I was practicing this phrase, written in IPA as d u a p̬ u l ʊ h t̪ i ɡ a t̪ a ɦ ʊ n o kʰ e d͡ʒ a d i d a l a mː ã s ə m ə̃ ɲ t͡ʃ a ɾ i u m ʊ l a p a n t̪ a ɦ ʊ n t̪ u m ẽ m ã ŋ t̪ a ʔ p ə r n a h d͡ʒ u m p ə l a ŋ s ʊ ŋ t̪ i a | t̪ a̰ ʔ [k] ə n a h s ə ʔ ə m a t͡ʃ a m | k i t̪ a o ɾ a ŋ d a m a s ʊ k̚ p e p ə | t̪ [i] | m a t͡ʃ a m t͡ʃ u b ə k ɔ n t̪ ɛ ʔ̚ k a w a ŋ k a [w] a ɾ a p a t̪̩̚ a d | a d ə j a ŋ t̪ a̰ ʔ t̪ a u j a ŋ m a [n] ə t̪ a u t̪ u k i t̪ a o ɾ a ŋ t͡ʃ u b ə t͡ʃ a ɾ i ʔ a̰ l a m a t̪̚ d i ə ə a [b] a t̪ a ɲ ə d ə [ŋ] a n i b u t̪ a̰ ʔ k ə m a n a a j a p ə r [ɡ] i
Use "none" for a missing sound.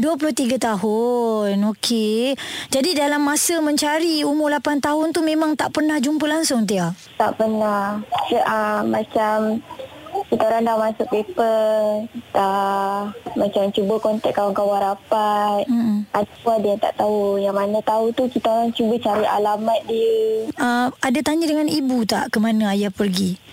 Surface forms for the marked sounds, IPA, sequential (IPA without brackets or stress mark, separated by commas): p, a, w, n, d, ŋ, ɡ